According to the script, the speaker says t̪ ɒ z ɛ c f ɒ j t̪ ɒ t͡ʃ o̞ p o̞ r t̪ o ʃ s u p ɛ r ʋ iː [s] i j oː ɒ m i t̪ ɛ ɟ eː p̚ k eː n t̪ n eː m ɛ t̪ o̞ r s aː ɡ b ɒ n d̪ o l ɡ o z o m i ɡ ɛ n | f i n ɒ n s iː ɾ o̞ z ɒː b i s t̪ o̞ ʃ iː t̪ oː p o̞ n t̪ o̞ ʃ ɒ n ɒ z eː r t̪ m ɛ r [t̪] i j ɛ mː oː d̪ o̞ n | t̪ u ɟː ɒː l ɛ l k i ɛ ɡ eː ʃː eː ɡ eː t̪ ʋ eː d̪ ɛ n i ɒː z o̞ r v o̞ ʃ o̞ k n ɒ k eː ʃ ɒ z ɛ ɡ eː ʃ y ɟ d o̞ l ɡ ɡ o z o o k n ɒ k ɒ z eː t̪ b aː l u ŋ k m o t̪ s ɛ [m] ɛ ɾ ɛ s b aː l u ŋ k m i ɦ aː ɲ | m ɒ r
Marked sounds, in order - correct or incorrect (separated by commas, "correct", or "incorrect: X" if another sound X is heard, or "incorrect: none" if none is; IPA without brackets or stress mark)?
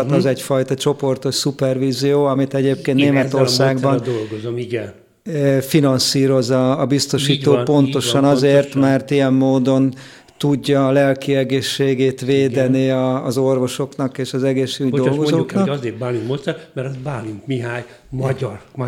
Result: incorrect: z, correct, correct